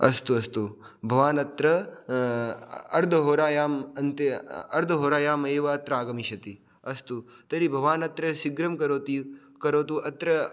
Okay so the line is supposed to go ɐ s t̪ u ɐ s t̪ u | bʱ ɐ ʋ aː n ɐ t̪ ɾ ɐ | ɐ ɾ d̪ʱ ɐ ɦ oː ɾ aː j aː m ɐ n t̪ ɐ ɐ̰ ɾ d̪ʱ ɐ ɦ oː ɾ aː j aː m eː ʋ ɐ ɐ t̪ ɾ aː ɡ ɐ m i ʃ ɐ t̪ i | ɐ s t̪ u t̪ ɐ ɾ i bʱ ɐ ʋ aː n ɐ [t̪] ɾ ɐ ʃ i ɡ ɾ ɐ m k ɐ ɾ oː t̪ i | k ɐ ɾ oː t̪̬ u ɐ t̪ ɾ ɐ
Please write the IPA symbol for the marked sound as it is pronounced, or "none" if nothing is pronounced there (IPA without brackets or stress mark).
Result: t̪